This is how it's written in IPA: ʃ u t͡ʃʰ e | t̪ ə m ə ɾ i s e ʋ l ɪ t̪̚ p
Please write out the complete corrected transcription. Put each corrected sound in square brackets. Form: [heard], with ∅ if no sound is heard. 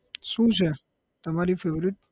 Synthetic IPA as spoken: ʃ [ũ] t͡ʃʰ e | t̪ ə m [a] ɾ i [f] e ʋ [ɾ] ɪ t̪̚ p